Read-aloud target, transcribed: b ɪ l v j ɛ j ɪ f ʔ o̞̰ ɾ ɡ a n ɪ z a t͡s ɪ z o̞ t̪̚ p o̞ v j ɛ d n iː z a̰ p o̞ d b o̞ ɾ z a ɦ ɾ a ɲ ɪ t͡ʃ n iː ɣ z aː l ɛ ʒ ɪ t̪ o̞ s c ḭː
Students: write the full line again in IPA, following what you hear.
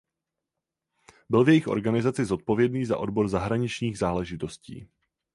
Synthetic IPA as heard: b ɪ l v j ɛ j ɪ x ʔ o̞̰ ɾ ɡ a n ɪ z a t͡s ɪ z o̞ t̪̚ p o̞ v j ɛ d n iː z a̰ ʔ o̞ d b o̞ ɾ z a ɦ ɾ a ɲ ɪ t͡ʃ ɲ iː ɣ z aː l ɛ ʒ ɪ t̪ o̞ s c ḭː